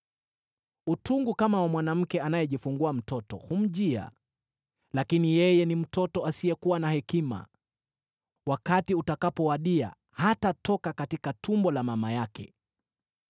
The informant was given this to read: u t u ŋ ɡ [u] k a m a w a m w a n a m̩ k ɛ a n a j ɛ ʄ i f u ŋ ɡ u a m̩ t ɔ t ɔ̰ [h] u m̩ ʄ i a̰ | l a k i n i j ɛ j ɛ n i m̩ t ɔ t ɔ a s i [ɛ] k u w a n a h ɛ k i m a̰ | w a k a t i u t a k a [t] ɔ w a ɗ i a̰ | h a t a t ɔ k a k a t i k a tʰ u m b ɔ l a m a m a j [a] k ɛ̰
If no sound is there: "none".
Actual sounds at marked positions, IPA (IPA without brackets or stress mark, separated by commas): u, h, ɛ, p, a